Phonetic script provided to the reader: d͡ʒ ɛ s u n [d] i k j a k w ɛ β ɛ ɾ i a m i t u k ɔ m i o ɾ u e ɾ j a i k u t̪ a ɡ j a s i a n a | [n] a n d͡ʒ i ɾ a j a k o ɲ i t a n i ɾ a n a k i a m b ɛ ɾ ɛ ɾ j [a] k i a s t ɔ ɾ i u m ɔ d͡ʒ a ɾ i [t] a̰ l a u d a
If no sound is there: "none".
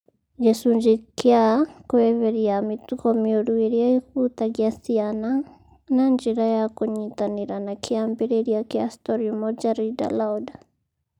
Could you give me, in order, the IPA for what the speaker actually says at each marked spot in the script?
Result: d͡ʒ, n, a, d

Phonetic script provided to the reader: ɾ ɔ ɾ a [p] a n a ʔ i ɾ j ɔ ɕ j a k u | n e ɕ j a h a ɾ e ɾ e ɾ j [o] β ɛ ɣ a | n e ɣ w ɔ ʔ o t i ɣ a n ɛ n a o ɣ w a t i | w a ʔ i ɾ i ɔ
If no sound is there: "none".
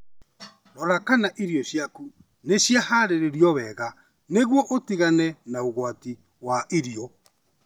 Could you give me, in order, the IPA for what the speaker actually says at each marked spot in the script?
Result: k, ɔ

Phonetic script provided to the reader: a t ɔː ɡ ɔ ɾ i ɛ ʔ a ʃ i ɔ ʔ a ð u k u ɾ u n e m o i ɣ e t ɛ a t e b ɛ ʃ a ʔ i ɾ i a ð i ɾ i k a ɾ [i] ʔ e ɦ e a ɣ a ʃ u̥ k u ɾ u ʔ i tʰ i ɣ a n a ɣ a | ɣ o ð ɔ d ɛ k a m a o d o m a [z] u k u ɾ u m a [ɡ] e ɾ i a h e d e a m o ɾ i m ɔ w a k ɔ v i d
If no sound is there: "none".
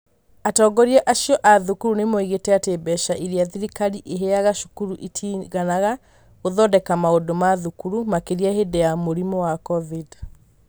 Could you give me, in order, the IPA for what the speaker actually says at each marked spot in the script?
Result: i, ð, k

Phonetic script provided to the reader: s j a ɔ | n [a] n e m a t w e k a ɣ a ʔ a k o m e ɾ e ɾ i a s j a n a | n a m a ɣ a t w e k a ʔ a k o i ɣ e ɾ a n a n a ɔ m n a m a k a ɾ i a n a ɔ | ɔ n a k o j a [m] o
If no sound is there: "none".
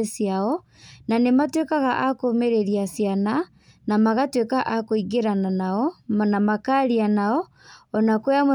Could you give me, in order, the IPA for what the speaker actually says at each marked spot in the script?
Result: a, m

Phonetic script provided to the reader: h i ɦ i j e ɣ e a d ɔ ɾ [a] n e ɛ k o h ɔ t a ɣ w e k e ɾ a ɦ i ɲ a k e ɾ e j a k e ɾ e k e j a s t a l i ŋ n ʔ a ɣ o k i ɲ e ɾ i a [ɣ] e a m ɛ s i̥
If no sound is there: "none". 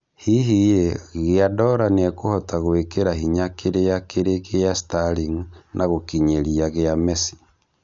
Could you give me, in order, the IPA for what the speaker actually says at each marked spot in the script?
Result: a, ɣ

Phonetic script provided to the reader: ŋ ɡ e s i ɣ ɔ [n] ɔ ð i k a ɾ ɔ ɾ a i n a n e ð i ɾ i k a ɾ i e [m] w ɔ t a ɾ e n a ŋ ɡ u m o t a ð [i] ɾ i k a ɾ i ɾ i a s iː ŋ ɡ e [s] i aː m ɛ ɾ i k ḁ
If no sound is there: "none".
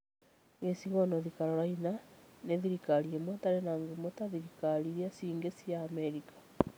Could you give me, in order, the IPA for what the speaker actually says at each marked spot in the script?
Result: n, m, i, s

